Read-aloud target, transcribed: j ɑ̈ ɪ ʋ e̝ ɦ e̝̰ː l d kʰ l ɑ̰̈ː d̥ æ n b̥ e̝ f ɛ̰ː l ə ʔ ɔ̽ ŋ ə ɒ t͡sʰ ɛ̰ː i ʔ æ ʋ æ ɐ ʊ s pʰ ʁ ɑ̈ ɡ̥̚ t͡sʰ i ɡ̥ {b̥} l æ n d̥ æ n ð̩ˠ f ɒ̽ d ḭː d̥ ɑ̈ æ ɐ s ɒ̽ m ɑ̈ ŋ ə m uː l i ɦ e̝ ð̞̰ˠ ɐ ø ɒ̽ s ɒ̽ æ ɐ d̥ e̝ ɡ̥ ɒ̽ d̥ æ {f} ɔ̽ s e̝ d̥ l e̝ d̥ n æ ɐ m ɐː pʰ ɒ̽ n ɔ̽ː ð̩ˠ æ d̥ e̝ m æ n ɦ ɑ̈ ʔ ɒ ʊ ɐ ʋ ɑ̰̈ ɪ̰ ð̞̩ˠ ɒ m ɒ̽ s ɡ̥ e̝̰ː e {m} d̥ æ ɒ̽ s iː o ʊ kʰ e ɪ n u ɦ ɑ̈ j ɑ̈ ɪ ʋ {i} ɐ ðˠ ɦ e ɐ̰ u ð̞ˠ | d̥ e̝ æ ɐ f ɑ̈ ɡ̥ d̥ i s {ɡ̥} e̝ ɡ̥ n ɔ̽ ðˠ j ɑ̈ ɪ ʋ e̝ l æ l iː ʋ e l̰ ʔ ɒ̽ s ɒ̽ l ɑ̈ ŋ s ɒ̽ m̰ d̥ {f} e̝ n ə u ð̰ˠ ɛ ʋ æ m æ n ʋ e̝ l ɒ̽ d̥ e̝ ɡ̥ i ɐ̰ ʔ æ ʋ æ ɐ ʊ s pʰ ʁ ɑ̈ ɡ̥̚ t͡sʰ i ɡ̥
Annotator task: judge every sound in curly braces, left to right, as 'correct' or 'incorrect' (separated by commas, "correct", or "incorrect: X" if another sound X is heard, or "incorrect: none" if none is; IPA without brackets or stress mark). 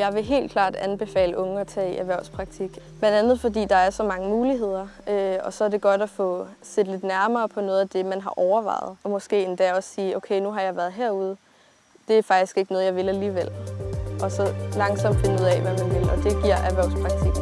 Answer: correct, correct, incorrect: n, incorrect: æ, correct, correct